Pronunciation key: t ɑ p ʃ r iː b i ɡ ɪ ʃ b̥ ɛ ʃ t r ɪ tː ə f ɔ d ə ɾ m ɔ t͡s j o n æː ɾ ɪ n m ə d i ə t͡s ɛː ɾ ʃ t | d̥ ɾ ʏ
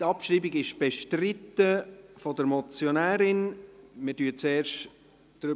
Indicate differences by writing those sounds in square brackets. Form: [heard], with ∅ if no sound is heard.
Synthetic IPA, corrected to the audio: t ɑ p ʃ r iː b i ɡ ɪ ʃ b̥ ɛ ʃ t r ɪ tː ə f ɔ d ə ɾ m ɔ t͡s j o n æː ɾ ɪ n m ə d [y] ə t͡s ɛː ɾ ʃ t | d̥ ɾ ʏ

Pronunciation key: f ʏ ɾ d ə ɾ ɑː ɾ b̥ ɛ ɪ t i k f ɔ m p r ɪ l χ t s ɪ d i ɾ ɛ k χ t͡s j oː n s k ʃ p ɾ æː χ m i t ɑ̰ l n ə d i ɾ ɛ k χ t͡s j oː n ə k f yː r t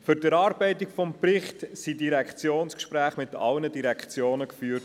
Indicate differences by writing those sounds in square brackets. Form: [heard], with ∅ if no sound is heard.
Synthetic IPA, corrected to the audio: f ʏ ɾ d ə ɾ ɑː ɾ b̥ ɛ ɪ t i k f ɔ m p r ɪ [∅] χ t s [i] d i ɾ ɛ k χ t͡s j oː n s k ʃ p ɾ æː χ m [ɪ] t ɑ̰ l n ə d i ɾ ɛ k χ t͡s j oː n ə k f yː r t

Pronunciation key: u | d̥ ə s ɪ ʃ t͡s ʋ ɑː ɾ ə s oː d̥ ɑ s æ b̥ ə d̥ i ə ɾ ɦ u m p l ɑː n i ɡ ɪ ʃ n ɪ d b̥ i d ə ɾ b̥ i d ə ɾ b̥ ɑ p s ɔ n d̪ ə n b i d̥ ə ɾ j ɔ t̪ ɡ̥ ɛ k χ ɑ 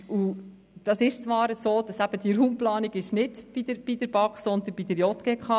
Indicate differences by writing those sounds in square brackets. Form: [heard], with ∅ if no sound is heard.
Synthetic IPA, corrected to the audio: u | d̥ [ɑ] s ɪ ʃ t͡s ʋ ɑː ɾ ə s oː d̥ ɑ s æ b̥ ə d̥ i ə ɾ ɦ u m p l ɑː n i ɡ ɪ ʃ n ɪ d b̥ i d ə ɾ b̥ i d ə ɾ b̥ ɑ [k] s ɔ n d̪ ə n b i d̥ ə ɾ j ɔ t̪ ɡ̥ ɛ k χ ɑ

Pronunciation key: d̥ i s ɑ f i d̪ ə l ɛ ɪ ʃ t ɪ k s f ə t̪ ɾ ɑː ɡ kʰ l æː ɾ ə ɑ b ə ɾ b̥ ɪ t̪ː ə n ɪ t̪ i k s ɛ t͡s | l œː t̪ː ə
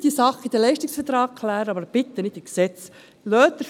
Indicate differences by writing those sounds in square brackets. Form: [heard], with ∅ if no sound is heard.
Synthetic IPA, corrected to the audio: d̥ i s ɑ [χ] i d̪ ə l ɛ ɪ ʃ t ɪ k s f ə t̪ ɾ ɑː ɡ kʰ l æː ɾ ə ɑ b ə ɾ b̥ ɪ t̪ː ə n ɪ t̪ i k s ɛ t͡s | l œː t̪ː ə

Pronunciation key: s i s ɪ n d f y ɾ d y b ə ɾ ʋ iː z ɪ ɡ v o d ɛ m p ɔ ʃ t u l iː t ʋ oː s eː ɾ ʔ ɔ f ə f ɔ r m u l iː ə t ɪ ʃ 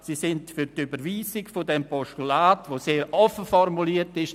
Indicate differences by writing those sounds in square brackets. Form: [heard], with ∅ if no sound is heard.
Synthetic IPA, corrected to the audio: s i s ɪ n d f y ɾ [t] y b ə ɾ ʋ iː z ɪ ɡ [f] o d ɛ m p ɔ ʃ t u l [aː] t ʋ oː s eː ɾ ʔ ɔ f ə f ɔ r m u l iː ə t ɪ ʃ

